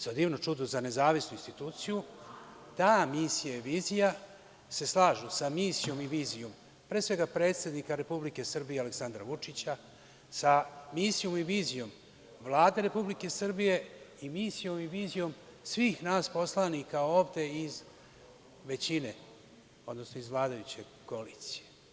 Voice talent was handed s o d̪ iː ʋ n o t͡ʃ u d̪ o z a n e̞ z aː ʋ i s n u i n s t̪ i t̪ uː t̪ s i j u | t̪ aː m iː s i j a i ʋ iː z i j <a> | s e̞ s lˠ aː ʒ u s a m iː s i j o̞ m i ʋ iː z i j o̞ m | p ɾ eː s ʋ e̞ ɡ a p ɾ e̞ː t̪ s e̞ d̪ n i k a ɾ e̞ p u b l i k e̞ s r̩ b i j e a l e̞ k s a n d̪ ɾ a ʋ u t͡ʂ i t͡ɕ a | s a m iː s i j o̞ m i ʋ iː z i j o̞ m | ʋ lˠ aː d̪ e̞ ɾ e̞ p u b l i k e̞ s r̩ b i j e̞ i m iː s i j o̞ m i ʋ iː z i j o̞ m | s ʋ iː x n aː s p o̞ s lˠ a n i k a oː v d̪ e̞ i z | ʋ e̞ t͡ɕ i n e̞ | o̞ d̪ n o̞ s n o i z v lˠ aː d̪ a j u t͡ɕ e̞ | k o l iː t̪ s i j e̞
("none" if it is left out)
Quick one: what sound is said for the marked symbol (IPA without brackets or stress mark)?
a